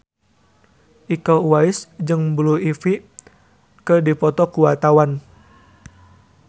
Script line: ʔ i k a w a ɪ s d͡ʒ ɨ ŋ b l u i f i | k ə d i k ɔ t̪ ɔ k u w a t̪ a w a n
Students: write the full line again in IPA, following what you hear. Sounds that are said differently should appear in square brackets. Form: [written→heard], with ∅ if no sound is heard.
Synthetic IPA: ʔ i k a w a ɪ s d͡ʒ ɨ ŋ b l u i f i | k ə d i [k→p] ɔ t̪ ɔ k u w a t̪ a w a n